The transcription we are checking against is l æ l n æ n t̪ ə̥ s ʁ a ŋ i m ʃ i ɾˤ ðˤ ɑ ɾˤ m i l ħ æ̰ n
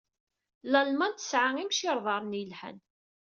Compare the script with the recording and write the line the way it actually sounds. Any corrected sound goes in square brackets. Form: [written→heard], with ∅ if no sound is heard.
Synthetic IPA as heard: l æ l [n→m] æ n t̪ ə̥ s [ʁ→ʕ] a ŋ i m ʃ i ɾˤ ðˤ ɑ ɾˤ [m→n] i l ħ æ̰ n

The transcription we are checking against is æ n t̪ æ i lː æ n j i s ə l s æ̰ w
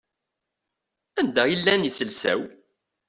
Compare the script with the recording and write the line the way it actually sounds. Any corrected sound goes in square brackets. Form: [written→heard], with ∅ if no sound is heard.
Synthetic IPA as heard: æ n [t̪→d̪] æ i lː æ n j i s ə l s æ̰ w

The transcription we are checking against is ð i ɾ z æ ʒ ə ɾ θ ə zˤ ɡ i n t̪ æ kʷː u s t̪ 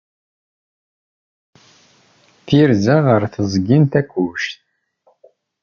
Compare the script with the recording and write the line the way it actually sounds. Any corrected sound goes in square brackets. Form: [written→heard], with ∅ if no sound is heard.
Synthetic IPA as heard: [ð→θ] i ɾ z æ [ʒ→ʁ] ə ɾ θ ə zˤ ɡ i n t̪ æ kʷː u [s→ʃ] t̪

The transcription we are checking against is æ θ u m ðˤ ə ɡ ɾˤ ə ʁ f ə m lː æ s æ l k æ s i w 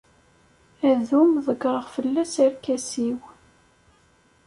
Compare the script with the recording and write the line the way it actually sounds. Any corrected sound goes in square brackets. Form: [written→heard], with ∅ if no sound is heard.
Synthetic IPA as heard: æ [θ→ð] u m ðˤ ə ɡ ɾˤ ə ʁ f ə [m→∅] lː æ s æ [l→ɾ] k æ s i w

